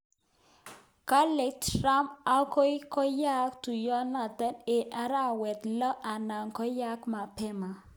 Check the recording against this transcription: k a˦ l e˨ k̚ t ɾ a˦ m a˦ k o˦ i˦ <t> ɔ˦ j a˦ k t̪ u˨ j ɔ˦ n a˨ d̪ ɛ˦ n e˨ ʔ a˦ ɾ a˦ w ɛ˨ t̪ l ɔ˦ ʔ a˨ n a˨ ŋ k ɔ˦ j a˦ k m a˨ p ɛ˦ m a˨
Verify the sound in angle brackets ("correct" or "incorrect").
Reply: incorrect